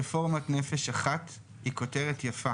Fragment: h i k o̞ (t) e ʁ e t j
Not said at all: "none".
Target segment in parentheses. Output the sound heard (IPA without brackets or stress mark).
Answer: t